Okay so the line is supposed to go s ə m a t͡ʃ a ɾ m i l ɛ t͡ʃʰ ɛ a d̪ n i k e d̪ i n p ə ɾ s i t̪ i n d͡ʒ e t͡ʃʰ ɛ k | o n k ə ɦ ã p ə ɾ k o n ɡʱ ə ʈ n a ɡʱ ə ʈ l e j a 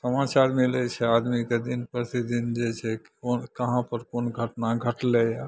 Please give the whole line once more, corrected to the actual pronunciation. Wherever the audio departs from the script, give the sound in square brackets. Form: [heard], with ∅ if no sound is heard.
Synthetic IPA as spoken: s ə m a t͡ʃ a ɾ m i l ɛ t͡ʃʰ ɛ a d̪ [m] i k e d̪ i n p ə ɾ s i [d̪] i n d͡ʒ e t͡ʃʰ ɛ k | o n k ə ɦ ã p ə ɾ k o n ɡʱ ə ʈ n a ɡʱ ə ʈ l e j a